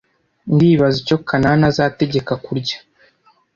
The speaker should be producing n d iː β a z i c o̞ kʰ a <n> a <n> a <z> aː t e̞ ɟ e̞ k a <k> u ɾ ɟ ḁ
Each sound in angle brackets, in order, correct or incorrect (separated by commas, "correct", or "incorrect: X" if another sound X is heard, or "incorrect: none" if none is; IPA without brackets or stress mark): correct, correct, correct, correct